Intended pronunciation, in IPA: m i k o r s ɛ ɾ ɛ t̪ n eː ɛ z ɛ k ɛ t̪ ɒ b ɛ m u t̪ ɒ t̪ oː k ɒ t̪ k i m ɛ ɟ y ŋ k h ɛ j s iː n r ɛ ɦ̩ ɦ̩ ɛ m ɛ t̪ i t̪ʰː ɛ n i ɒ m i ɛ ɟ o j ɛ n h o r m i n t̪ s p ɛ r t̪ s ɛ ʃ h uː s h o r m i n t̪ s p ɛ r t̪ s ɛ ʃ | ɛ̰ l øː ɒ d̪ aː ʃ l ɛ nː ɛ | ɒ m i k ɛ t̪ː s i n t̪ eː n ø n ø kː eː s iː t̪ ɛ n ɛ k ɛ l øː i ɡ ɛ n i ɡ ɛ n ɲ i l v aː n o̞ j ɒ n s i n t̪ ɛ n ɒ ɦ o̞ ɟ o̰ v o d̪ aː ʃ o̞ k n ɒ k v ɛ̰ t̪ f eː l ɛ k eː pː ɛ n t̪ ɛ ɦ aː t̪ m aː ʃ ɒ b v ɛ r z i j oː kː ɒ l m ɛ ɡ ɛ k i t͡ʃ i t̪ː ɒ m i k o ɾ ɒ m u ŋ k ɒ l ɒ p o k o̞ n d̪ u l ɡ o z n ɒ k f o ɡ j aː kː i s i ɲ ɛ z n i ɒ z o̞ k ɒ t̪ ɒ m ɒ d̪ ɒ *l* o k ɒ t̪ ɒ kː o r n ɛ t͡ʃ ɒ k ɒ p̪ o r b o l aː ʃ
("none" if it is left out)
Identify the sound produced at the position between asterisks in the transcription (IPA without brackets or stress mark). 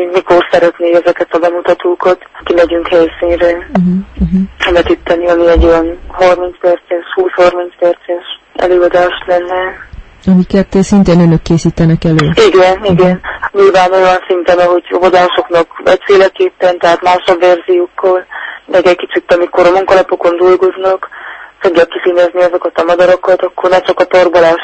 ɾ